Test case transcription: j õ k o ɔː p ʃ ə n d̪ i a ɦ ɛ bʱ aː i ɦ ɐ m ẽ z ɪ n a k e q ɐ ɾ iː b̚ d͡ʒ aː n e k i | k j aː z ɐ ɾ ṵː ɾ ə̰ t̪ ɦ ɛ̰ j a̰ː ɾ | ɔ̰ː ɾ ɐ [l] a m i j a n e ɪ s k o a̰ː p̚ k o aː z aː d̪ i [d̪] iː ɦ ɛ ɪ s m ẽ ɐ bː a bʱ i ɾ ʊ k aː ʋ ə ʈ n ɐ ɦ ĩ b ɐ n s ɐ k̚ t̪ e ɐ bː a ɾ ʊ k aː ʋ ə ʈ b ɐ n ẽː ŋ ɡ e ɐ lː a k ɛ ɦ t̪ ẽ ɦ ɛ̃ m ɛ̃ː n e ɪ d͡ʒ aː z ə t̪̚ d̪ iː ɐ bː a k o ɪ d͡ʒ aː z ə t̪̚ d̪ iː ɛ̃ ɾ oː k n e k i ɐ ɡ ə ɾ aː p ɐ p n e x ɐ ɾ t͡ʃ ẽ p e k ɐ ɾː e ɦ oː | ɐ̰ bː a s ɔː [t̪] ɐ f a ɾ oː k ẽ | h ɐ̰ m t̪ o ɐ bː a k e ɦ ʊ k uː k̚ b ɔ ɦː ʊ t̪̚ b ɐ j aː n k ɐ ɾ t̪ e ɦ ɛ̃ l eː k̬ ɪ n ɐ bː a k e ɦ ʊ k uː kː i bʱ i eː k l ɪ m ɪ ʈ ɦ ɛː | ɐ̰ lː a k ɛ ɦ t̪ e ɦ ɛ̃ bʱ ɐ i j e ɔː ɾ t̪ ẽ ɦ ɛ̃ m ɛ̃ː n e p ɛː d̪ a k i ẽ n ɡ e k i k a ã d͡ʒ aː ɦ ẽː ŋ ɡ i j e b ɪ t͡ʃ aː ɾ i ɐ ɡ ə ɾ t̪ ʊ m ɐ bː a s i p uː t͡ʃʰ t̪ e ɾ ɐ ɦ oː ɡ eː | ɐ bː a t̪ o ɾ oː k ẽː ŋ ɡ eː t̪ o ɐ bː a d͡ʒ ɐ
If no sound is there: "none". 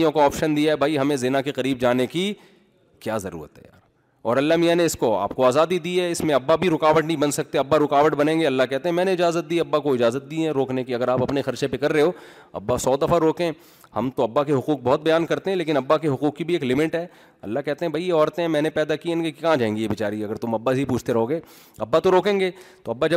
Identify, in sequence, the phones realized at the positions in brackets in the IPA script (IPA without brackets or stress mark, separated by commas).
lː, d̪, d̪